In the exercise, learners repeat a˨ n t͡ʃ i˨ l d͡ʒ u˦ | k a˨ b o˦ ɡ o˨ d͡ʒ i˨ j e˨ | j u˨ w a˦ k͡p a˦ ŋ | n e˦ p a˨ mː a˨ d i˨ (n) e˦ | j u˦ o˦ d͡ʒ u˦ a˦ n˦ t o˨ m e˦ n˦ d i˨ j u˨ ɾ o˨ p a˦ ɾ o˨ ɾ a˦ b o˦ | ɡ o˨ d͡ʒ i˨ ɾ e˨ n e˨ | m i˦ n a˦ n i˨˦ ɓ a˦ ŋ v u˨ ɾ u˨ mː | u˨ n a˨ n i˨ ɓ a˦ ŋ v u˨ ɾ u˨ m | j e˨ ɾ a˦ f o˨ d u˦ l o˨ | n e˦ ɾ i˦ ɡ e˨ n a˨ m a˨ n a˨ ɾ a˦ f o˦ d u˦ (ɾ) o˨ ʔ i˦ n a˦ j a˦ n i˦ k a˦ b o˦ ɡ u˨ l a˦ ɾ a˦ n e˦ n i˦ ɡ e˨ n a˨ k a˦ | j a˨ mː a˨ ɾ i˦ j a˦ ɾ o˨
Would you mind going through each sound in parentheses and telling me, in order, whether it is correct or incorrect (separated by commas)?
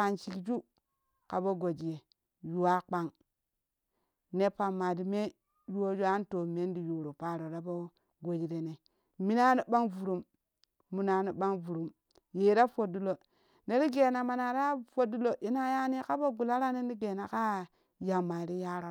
incorrect, incorrect